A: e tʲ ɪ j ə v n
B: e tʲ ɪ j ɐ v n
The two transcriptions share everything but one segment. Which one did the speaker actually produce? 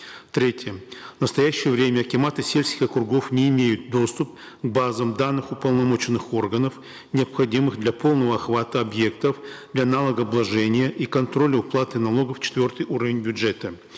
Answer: A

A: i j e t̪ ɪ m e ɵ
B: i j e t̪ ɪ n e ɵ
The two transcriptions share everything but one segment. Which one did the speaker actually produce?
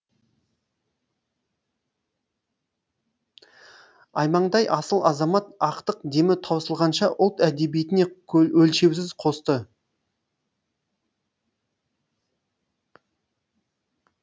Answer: B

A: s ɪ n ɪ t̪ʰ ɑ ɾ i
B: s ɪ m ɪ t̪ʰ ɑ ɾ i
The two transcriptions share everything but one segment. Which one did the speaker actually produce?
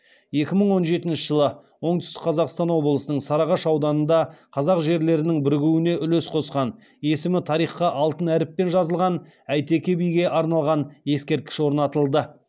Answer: B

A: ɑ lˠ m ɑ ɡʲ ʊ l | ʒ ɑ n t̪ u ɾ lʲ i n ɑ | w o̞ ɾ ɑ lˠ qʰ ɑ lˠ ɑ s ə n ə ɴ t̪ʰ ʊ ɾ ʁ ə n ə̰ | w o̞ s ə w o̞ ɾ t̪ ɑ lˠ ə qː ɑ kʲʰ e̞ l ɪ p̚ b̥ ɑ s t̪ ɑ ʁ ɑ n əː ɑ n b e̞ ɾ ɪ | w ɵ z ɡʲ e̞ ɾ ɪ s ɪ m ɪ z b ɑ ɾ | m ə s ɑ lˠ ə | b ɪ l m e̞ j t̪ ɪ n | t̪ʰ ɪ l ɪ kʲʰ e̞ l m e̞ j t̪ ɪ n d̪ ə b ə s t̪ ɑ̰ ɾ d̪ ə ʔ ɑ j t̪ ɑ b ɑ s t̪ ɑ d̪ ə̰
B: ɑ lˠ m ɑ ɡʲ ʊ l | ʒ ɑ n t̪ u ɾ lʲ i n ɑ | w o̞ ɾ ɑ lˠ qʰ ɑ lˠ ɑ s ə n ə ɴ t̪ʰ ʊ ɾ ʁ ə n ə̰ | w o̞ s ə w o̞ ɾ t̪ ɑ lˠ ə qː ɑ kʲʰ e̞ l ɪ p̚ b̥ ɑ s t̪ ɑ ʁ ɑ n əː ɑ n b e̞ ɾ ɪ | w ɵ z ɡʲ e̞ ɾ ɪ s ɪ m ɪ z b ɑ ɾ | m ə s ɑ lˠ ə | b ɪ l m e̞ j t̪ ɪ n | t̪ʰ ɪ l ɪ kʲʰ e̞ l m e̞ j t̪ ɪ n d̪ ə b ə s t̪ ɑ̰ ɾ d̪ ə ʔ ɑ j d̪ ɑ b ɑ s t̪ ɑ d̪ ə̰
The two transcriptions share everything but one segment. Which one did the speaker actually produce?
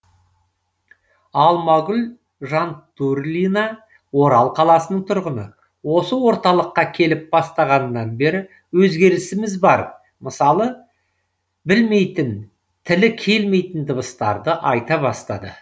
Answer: A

